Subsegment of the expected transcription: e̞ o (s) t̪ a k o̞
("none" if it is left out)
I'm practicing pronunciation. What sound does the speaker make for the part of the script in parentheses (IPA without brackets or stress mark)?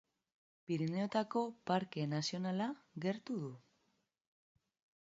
none